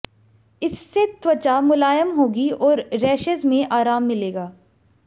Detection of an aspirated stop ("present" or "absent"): absent